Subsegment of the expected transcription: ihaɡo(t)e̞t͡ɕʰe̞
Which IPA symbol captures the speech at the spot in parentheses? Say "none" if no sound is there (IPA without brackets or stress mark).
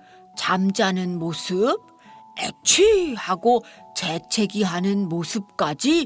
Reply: t͡ɕ